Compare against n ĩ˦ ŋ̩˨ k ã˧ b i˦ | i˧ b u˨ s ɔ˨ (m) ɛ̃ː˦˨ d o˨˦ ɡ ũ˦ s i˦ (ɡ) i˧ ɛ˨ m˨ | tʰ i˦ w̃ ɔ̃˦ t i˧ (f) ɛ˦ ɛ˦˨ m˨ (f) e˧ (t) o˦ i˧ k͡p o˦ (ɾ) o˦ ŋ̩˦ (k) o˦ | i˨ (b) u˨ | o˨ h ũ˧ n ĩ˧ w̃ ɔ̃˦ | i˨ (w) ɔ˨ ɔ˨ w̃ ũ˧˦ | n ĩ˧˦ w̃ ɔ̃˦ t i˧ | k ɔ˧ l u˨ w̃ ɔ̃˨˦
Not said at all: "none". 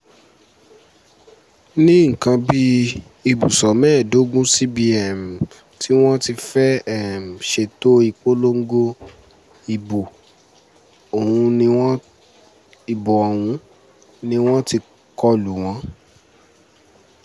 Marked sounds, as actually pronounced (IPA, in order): m, b, f, ʃ, t, l, ɡ, b, b

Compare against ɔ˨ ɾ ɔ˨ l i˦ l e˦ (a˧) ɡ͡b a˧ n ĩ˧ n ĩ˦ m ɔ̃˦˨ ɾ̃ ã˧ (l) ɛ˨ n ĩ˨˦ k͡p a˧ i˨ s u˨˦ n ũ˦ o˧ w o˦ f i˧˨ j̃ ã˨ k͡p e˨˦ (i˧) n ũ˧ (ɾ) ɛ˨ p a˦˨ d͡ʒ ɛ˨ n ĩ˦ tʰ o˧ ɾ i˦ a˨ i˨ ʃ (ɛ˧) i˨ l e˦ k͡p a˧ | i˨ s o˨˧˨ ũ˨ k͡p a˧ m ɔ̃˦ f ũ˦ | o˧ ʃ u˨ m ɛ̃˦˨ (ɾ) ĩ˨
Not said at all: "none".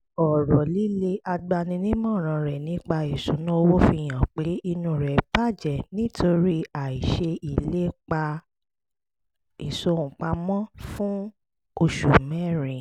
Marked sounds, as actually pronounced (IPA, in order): a˧, ɾ, i˧, ɾ, e˧, ɾ

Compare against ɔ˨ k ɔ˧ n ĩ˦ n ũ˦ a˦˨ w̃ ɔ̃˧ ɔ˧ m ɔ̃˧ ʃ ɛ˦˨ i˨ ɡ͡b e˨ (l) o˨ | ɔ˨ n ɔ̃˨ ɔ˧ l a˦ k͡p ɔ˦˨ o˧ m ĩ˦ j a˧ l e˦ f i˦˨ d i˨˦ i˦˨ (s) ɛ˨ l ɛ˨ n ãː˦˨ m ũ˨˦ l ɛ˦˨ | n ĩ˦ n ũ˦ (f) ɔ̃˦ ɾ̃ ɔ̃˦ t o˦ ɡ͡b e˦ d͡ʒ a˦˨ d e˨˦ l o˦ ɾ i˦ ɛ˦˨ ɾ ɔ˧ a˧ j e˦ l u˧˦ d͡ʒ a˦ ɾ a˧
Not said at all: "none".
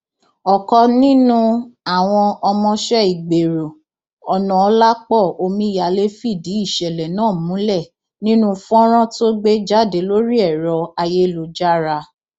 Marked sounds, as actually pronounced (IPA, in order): ɾ, ʃ, f

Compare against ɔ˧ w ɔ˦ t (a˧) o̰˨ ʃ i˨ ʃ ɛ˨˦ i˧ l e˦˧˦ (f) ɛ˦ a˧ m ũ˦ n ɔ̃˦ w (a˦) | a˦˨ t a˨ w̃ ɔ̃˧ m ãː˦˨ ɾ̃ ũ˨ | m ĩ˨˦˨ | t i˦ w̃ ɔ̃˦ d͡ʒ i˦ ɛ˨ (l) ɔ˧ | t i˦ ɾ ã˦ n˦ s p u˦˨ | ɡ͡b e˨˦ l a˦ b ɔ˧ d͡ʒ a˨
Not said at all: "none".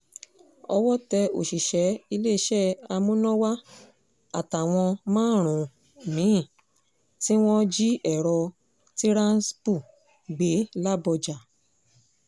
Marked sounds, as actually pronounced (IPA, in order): ɛ˧, ʃ, a˦, ɾ

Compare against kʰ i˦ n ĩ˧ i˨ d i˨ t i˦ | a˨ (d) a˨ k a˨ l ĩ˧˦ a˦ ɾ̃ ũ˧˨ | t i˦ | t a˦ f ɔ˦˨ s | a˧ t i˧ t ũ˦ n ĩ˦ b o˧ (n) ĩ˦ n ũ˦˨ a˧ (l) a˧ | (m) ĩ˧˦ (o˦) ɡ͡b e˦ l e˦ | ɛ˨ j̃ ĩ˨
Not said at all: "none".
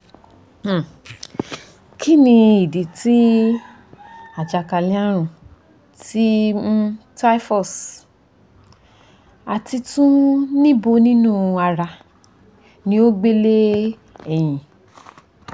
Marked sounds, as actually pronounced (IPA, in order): d͡ʒ, n, ɾ, n, o˦

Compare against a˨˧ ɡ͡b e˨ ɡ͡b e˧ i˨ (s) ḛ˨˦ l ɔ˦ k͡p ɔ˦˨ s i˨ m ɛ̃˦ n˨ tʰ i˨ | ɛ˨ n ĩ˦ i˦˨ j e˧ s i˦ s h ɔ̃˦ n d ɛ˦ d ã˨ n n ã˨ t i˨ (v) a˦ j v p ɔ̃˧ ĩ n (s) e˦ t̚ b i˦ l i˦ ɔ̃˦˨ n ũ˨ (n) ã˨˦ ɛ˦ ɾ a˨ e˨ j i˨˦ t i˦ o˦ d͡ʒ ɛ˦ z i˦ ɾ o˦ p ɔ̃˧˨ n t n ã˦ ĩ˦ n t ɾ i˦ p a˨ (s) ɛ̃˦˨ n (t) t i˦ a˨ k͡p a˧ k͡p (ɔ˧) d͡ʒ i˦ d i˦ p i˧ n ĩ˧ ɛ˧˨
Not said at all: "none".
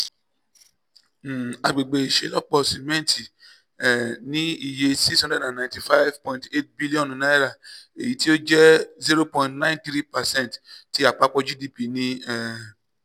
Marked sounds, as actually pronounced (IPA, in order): ʃ, f, t, n, s, t, ɔ˧

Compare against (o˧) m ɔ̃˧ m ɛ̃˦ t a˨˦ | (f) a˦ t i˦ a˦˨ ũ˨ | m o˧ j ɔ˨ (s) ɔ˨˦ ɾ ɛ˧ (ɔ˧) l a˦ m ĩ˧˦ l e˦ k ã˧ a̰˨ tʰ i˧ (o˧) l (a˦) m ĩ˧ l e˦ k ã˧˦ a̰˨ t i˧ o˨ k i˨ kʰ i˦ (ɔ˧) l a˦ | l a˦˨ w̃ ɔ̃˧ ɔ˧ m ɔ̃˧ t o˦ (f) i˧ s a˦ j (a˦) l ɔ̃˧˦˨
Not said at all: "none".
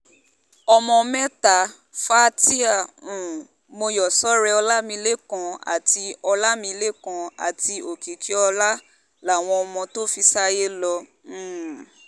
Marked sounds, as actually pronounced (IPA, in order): ɔ˧, f, s, ɔ˧, ɔ˧, a˦, ɔ˧, f, e˦

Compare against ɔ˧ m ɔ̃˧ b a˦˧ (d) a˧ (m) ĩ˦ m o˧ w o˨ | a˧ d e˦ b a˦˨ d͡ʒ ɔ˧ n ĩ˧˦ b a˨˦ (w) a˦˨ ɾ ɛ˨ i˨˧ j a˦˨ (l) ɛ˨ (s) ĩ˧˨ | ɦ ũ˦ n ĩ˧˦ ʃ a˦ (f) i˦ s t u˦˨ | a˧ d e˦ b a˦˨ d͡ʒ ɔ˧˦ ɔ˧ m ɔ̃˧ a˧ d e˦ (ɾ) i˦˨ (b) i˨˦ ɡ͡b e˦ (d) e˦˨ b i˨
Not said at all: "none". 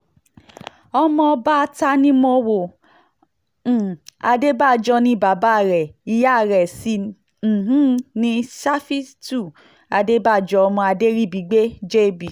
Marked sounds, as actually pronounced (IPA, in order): t, n, b, ɾ, s, f, ɾ, b, d͡ʒ

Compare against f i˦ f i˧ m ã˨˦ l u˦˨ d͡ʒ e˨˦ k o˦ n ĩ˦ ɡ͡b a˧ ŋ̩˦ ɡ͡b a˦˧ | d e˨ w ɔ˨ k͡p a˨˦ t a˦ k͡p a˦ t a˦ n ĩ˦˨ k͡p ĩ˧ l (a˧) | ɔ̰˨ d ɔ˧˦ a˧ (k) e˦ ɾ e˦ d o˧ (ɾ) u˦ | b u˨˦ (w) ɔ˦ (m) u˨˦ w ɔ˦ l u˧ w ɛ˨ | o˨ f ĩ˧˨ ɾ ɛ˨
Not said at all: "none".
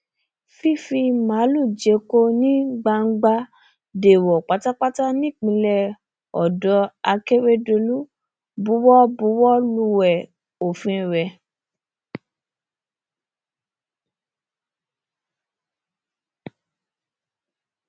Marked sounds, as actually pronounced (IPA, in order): ɛ˧, k, l, w, b

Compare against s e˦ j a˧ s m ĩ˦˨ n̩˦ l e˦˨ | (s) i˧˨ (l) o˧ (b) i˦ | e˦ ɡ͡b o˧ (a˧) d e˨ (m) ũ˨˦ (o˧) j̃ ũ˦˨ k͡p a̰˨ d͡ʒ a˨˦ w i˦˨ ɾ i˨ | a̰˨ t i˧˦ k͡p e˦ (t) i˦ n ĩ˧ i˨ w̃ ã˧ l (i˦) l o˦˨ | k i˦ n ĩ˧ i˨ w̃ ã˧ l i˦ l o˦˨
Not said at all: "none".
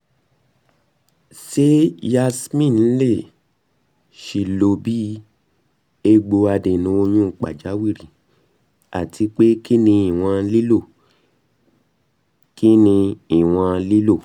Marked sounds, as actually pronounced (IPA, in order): ʃ, l, b, a˧, n, o˧, k, i˦

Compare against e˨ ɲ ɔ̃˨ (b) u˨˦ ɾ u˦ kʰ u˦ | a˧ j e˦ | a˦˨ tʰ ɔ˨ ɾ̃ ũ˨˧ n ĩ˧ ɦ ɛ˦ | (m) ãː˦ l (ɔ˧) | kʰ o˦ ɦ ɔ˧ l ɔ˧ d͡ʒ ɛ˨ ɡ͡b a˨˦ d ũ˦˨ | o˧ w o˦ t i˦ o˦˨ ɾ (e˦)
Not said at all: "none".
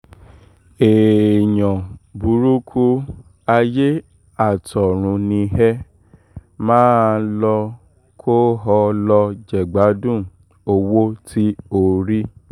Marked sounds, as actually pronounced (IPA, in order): b, m, ɔ˧, i˦

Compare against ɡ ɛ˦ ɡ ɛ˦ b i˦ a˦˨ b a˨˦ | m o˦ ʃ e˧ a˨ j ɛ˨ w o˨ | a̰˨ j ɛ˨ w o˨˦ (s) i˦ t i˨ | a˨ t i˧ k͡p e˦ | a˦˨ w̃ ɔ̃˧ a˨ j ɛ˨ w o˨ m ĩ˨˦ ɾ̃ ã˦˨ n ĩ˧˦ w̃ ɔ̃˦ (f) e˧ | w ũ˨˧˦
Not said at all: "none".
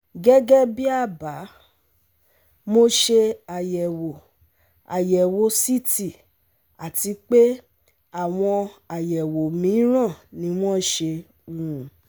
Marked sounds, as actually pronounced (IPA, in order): s, ʃ

